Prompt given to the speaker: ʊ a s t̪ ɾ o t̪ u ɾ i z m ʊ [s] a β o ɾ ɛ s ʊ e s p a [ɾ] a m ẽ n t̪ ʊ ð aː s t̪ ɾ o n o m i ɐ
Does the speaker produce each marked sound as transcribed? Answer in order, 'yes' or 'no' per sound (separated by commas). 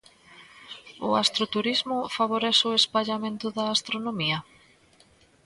no, no